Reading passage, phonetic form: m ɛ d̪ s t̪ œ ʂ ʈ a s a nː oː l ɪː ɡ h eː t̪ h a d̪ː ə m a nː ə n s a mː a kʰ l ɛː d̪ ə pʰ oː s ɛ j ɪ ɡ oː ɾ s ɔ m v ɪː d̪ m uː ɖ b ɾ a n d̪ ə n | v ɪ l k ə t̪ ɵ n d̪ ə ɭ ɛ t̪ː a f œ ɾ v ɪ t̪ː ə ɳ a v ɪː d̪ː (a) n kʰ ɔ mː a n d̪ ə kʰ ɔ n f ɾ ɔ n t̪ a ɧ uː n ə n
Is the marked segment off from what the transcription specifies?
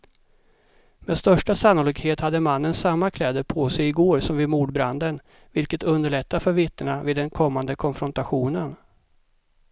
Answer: yes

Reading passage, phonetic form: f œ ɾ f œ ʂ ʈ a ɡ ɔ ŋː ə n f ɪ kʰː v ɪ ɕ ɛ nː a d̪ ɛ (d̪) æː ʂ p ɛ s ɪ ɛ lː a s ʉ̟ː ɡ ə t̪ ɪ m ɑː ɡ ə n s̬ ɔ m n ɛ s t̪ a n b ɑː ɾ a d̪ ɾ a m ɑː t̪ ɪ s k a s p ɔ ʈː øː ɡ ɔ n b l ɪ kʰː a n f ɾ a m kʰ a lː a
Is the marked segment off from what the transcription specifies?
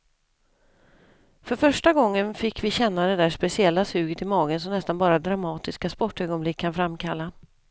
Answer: no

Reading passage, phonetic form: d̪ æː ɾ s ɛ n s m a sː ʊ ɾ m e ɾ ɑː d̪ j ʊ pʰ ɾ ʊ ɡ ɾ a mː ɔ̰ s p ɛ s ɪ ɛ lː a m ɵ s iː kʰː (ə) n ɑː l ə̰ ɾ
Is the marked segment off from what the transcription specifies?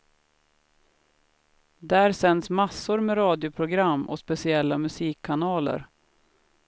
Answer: yes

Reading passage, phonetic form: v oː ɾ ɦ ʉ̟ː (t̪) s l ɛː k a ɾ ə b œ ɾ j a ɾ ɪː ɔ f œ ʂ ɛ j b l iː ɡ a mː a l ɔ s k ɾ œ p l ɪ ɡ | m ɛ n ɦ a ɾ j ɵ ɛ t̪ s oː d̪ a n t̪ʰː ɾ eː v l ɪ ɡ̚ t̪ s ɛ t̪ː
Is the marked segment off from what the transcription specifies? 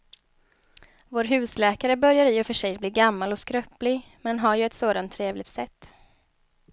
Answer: yes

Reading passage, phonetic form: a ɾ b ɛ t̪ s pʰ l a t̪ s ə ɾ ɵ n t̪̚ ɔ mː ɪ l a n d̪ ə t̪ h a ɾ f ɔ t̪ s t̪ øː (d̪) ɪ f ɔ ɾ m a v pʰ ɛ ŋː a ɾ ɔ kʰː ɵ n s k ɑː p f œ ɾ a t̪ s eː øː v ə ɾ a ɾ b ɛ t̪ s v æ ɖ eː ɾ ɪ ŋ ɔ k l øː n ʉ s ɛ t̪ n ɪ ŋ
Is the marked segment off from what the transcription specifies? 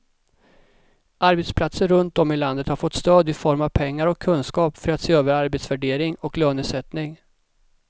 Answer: no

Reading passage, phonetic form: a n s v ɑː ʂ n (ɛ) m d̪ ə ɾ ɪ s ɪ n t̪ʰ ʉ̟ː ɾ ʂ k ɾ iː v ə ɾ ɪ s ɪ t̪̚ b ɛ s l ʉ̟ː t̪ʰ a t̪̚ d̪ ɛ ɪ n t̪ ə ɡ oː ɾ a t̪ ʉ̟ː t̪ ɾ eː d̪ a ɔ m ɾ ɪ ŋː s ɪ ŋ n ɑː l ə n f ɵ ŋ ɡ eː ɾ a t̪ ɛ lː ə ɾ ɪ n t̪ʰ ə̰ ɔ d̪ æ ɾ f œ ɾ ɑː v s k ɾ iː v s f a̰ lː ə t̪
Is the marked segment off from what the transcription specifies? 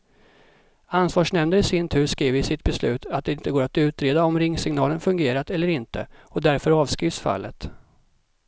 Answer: no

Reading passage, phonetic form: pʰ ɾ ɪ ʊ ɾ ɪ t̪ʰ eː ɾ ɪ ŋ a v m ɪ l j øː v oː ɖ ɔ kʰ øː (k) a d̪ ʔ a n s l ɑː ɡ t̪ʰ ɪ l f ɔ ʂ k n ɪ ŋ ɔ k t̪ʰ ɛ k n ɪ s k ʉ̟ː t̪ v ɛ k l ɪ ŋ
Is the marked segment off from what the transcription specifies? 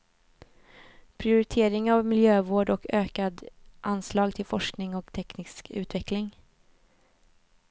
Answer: no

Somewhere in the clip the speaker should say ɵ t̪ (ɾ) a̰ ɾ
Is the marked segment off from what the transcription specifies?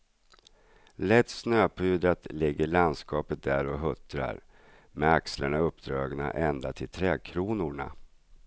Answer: no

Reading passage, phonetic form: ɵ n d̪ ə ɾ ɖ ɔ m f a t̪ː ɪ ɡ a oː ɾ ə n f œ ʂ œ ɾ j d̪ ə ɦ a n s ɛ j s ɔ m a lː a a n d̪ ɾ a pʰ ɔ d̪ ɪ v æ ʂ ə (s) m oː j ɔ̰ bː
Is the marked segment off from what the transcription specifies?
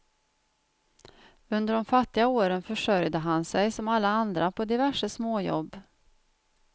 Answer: no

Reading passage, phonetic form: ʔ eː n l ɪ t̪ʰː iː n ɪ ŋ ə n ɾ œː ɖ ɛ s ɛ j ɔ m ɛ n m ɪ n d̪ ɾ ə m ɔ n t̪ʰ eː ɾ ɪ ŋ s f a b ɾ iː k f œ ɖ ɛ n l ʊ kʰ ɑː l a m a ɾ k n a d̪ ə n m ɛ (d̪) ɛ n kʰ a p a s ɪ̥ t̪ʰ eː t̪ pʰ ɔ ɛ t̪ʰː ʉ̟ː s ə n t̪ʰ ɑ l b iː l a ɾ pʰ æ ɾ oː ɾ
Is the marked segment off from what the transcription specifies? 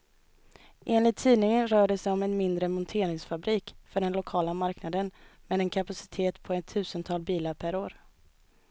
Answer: no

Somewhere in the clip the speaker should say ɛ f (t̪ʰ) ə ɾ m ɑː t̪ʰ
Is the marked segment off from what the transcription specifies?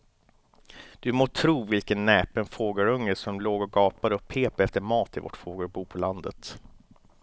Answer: yes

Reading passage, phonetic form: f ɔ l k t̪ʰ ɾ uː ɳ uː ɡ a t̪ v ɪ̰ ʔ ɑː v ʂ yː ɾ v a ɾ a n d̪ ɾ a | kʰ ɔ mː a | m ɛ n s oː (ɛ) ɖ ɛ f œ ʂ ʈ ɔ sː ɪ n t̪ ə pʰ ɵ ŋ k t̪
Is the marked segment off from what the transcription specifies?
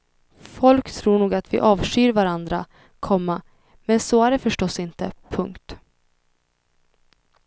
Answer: yes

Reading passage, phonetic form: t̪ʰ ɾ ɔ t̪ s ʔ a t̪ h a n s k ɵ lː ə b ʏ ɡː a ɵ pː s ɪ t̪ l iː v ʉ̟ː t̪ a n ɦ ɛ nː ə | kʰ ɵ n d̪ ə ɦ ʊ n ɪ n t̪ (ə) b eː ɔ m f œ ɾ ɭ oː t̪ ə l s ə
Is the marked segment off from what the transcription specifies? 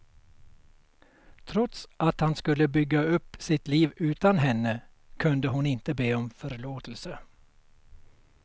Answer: no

